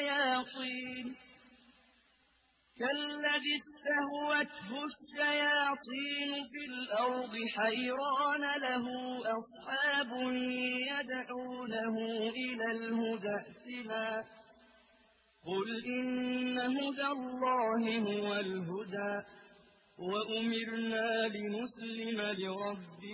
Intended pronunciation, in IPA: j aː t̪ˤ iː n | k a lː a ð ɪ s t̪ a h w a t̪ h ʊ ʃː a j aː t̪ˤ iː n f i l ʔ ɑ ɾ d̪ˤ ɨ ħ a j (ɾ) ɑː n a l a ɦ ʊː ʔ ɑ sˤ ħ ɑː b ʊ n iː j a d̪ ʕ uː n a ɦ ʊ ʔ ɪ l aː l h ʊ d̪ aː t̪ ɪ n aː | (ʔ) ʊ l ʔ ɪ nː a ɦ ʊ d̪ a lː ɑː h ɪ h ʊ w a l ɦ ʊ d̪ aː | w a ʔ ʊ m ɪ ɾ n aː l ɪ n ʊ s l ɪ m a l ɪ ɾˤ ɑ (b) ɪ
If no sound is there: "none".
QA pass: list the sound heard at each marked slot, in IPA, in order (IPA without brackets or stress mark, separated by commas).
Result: ɾ, q, bː